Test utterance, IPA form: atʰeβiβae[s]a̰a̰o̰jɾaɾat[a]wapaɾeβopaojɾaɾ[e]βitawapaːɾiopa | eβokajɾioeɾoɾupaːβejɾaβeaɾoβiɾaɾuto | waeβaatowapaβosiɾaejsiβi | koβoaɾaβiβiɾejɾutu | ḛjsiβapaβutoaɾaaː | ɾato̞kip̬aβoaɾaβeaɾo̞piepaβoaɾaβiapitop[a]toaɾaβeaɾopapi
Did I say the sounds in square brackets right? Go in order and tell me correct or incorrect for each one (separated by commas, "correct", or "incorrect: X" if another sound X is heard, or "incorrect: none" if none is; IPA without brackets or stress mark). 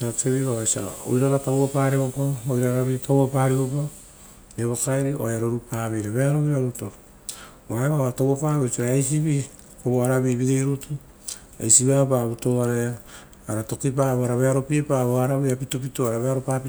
correct, correct, incorrect: a, incorrect: i